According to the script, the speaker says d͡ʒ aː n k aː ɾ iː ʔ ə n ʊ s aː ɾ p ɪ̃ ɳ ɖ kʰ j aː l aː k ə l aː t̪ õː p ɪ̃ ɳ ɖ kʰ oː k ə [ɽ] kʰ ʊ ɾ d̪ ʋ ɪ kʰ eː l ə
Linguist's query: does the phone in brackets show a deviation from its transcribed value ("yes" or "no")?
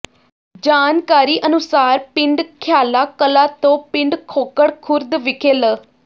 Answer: no